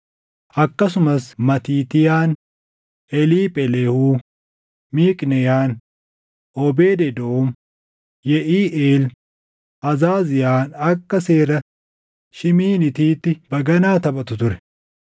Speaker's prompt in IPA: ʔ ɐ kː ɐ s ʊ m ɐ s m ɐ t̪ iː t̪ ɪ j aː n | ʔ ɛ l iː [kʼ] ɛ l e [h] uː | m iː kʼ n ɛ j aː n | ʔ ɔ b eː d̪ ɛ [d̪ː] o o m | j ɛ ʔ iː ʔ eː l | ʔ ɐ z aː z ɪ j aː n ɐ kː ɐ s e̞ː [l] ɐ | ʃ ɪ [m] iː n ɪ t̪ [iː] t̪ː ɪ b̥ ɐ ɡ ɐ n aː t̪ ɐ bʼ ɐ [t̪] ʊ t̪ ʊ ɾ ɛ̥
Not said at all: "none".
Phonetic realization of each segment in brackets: pʼ, h, d̪, ɾ, m, iː, t̪

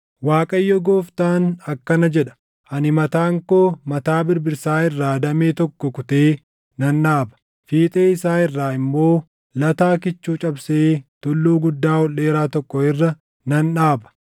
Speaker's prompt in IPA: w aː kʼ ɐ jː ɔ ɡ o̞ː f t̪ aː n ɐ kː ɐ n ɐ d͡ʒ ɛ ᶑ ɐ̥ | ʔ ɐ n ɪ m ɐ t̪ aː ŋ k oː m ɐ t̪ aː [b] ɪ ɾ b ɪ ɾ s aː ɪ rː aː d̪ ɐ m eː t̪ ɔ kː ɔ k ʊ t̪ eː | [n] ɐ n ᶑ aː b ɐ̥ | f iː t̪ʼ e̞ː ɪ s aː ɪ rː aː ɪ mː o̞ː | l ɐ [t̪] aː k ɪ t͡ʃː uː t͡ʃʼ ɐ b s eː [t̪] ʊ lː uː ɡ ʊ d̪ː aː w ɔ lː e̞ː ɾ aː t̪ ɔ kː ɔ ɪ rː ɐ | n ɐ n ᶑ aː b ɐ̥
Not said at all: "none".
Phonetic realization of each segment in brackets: b, n, t̪, t̪

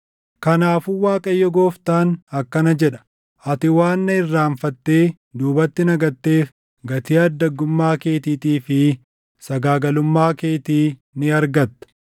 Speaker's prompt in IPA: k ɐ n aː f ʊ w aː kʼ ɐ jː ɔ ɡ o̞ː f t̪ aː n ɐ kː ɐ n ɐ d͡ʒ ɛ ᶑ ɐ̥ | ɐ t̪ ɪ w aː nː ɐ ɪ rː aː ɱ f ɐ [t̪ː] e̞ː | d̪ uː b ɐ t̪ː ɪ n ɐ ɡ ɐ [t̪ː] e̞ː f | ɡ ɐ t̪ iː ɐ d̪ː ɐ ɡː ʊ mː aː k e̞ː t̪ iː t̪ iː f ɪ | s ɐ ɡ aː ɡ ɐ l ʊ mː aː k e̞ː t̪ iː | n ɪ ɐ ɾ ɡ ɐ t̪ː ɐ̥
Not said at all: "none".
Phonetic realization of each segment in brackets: t̪ː, t̪ː

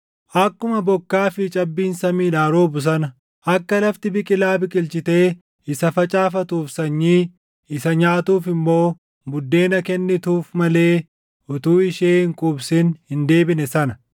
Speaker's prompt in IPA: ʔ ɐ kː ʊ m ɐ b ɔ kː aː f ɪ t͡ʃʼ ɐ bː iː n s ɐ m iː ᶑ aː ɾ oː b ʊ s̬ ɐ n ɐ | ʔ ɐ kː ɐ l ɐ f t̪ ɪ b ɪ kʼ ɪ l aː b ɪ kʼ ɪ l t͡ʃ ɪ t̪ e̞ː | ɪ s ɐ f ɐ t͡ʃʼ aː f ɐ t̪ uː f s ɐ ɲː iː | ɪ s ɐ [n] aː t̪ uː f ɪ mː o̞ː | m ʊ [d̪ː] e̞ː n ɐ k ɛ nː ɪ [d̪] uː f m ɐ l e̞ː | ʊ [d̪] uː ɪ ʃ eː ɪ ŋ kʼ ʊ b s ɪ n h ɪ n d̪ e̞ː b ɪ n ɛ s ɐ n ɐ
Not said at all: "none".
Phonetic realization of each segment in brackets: ɲ, d̪ː, t̪, t̪

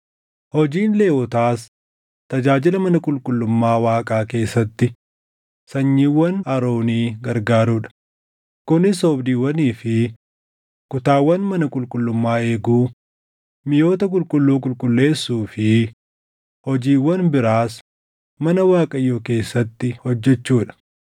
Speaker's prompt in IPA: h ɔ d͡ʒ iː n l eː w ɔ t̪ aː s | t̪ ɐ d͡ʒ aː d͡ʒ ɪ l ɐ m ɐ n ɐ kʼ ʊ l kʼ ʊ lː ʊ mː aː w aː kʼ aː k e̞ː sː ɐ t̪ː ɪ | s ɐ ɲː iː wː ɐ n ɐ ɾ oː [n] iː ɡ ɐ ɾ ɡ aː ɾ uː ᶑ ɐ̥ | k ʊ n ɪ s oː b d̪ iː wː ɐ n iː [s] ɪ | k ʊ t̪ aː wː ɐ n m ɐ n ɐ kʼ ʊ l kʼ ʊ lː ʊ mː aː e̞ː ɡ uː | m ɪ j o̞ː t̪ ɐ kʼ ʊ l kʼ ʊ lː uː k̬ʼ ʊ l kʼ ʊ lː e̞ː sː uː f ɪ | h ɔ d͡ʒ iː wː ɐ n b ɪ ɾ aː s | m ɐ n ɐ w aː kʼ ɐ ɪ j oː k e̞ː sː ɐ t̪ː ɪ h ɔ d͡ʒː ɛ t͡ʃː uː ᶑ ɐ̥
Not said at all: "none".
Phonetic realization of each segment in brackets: n, f

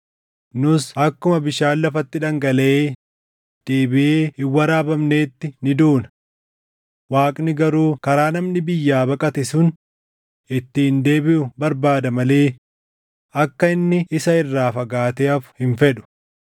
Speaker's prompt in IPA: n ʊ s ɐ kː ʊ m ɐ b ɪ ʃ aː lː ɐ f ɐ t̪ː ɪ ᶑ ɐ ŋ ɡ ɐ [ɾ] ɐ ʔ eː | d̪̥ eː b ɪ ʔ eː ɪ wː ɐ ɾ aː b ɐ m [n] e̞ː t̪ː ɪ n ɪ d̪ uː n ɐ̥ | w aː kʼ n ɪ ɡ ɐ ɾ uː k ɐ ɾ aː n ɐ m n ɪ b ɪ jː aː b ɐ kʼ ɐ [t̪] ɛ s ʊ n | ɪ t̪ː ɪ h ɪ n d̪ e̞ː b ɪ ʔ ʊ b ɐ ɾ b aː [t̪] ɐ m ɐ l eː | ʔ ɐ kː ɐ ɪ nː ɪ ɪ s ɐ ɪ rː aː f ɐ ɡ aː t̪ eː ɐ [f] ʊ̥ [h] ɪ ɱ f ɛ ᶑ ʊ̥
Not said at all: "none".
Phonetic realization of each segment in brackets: l, n, t̪, d̪, f, h

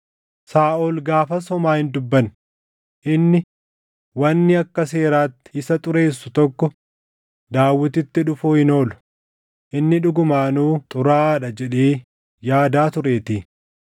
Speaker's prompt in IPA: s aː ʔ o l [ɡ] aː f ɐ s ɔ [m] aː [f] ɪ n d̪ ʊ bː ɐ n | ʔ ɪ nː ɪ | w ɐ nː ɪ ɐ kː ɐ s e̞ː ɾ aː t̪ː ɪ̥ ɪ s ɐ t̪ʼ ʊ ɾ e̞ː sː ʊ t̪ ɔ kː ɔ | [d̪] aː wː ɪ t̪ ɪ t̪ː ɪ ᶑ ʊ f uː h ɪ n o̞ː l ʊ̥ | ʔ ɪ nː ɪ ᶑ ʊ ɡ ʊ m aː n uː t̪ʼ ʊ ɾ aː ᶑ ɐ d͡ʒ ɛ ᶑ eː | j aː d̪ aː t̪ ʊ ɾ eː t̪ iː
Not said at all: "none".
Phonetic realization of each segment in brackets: ɡ, m, h, d̪

